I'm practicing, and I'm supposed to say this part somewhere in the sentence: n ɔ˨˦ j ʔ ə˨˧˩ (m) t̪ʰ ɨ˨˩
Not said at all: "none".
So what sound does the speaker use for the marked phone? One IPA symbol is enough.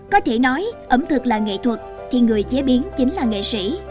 m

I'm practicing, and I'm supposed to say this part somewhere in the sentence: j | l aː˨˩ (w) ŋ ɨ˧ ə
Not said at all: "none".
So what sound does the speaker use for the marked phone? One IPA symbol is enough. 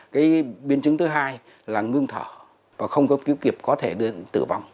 none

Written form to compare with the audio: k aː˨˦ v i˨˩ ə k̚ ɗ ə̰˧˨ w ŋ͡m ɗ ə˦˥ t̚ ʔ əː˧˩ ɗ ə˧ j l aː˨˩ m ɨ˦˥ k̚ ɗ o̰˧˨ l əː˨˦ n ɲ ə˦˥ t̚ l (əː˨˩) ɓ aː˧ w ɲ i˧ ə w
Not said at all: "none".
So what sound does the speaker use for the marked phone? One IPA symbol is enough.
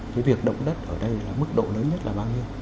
aː˨˩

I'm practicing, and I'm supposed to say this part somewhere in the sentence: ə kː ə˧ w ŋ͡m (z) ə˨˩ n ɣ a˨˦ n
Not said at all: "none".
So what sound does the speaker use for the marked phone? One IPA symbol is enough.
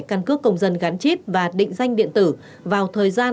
z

